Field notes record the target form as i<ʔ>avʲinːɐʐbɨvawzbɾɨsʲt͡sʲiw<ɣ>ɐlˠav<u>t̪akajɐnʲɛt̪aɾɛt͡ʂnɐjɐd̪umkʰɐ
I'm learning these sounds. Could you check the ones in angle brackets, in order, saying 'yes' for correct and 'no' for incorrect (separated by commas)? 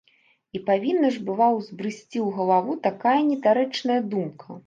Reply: no, yes, yes